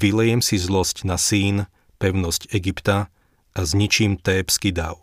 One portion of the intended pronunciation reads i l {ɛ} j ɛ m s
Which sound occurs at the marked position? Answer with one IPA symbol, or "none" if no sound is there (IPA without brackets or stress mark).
ɛ